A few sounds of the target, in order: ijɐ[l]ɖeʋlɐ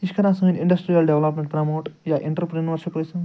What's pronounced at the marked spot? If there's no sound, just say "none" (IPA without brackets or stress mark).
l